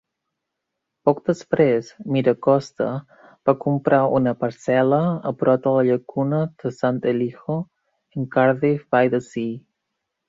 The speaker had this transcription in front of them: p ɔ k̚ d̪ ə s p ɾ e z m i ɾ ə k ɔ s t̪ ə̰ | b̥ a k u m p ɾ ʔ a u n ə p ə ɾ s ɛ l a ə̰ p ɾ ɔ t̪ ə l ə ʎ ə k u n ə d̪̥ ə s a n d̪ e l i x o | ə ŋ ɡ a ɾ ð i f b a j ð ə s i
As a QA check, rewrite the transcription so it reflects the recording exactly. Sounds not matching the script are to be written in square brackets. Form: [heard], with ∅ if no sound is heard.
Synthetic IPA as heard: p ɔ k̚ d̪ ə s p ɾ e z m i ɾ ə k ɔ s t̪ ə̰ | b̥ a k u m p ɾ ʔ a u n ə p ə ɾ s ɛ l [ə] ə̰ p ɾ ɔ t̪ ə l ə ʎ ə k u n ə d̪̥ ə s a n [t̪] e l i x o | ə ŋ [k] a ɾ ð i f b a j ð ə s i

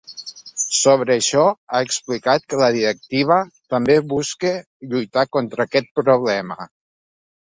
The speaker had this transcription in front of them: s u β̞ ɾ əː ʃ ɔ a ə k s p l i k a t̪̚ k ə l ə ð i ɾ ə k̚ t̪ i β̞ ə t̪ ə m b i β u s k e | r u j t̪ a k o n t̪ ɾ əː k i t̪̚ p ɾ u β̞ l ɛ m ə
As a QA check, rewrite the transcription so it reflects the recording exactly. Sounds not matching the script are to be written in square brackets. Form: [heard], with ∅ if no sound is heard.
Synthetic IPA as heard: s [o] β̞ ɾ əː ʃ ɔ a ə k s p l i k a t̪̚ k ə l ə ð i ɾ ə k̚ t̪ i β̞ ə t̪ ə m b [e] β u s k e | [ʎ] u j t̪ a k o n t̪ ɾ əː k [ɛ] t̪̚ p ɾ u β̞ l ɛ m ə

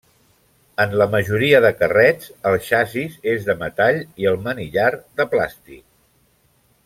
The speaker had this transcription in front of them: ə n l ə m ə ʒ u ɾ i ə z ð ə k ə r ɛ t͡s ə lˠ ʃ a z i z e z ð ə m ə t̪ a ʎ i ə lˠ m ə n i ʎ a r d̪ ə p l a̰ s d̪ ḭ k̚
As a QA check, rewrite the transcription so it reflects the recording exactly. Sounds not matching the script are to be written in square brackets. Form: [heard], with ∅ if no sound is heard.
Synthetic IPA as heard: ə n l ə m ə ʒ u ɾ i ə [∅] ð ə k ə r ɛ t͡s ə lˠ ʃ a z i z e z ð ə m ə t̪ a ʎ i ə lˠ m ə n i ʎ a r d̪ ə p l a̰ s [t̪] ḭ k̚

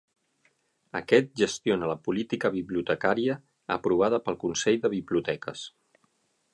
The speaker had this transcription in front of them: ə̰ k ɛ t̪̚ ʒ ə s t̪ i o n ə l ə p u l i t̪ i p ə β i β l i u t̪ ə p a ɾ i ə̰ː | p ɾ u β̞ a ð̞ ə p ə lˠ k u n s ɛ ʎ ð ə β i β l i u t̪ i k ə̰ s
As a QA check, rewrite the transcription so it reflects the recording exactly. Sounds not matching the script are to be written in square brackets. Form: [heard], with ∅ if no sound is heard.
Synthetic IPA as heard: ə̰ k ɛ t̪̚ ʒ ə s t̪ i o n ə l ə p u l i t̪ i [k] ə β i β l i u t̪ ə [k] a ɾ i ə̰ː | p ɾ u β̞ a ð̞ ə p ə lˠ k u n s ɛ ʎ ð ə β i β l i u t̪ [ɛ] k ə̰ s

